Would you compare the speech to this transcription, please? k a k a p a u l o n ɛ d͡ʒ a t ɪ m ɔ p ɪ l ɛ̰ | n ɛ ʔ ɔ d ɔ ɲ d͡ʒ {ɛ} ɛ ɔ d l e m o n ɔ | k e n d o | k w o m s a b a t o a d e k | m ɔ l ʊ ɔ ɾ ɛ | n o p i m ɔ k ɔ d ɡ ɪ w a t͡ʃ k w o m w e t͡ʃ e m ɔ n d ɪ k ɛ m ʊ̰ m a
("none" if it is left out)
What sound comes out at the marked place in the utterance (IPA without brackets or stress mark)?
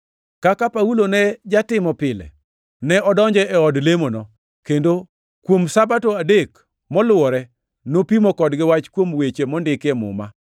ɛ